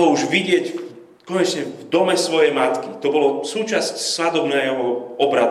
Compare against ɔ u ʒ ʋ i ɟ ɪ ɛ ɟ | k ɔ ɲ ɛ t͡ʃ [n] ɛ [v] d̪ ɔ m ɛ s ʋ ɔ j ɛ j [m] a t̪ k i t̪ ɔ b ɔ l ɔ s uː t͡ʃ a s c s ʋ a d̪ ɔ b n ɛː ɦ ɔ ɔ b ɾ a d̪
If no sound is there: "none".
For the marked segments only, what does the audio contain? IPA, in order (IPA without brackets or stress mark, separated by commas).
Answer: ɲ, v, m